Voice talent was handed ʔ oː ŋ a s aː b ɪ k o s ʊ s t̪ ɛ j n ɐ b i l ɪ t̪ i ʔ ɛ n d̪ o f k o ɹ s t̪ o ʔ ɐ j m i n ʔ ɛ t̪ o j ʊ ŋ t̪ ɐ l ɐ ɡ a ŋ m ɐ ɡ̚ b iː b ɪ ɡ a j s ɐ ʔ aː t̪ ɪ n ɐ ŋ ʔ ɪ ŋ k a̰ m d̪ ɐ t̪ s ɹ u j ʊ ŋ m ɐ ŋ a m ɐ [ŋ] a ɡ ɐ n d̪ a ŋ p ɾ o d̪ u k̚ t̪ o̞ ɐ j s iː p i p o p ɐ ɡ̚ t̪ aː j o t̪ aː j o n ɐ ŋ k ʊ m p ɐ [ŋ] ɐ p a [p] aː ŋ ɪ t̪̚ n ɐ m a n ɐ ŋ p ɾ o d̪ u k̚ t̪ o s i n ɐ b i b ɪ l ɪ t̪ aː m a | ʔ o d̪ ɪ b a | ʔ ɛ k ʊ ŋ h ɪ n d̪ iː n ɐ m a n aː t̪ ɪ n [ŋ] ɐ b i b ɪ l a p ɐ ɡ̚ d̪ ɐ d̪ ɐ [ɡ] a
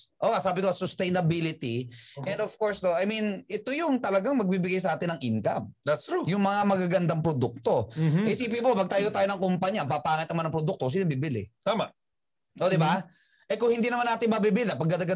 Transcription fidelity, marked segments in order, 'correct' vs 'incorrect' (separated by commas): incorrect, incorrect, correct, incorrect, correct